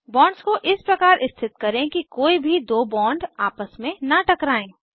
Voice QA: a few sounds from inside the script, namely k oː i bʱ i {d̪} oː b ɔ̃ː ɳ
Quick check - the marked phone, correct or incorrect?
correct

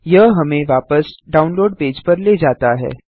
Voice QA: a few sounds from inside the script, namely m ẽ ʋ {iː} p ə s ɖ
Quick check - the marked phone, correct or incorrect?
incorrect: aː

